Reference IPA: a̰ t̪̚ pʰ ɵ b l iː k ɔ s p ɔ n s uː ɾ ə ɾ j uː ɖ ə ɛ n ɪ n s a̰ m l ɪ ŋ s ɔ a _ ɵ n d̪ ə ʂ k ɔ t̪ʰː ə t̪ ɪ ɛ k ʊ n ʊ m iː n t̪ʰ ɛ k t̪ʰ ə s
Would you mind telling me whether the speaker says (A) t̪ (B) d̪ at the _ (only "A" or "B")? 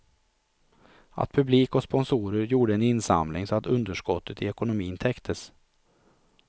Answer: A